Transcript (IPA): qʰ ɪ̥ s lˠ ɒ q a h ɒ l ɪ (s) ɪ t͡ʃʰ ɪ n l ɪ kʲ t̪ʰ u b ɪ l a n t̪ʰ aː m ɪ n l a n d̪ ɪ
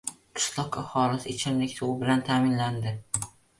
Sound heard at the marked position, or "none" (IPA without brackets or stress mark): s